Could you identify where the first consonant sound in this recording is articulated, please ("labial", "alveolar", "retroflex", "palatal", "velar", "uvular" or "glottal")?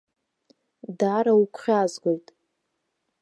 alveolar